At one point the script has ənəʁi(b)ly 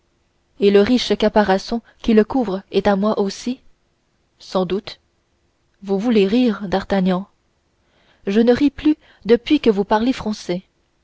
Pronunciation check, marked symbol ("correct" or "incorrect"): incorrect